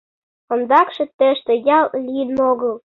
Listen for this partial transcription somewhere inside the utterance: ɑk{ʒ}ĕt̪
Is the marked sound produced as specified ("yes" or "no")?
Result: no